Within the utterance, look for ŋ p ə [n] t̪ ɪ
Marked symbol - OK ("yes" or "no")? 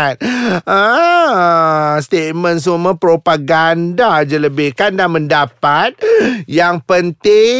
yes